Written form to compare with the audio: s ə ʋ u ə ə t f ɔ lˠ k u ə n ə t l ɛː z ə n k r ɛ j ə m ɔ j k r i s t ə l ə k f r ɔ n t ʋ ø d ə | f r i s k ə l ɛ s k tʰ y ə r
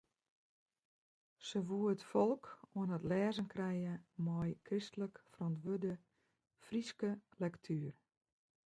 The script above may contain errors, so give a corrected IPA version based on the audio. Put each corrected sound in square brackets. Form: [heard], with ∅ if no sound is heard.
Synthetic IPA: s ə ʋ u ə ə t f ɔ lˠ k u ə n ə t l ɛː z ə n k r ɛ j ə m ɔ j k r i s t ə l ə k f r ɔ n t ʋ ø d ə | f r i s k ə l ɛ [∅] k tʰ y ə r